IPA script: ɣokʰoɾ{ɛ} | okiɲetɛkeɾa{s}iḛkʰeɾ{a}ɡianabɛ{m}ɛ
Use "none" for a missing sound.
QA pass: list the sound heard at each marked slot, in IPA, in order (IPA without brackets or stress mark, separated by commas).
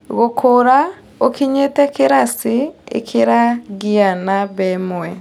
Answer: a, s, a, m